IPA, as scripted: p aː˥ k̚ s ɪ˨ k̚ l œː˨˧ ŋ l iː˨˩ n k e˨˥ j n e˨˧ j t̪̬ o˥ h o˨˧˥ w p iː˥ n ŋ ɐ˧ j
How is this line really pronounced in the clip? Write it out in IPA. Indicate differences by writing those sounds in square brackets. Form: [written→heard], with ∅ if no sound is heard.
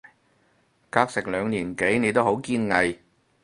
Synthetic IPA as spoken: [p→k] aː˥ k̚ s ɪ˨ k̚ l œː˨˧ ŋ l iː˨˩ n k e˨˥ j n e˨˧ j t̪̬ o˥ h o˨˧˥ w [p→k] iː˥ n ŋ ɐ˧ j